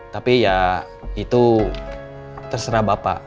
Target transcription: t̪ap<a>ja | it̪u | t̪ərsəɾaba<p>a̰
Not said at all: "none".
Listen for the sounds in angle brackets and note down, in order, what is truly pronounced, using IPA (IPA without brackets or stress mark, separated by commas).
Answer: i, p